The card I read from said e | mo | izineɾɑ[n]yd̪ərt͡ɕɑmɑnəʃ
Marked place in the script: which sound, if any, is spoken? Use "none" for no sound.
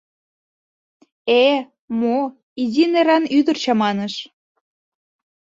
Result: n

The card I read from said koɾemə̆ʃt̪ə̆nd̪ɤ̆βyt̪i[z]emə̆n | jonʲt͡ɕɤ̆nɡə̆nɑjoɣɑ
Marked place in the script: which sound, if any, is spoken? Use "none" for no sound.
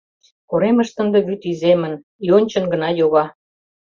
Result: z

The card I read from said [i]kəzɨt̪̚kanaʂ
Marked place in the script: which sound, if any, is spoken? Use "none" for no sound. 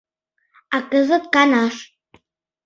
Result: a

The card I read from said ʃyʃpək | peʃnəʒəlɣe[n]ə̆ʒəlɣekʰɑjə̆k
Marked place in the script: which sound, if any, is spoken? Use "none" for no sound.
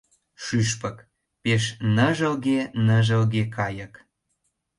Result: n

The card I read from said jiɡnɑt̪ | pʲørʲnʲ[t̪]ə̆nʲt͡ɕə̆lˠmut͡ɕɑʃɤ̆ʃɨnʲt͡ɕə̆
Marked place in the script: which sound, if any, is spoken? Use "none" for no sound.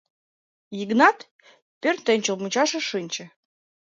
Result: t̪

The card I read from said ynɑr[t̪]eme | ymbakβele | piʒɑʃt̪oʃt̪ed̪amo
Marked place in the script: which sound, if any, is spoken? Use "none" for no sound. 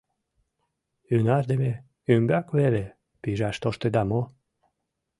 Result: d̪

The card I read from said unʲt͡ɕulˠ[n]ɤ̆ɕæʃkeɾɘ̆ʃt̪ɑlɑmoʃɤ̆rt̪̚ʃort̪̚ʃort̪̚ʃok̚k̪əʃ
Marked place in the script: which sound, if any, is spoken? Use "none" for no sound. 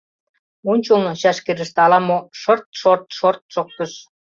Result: n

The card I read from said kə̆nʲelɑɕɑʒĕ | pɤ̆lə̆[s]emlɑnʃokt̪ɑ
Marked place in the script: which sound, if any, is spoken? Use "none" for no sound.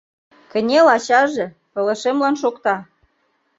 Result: ʃ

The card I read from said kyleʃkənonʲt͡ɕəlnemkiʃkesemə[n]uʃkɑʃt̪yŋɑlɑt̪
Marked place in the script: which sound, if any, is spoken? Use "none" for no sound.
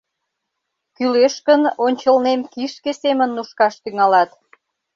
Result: nː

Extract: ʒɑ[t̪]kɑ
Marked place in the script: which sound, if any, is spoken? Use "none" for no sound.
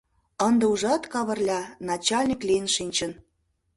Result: t̪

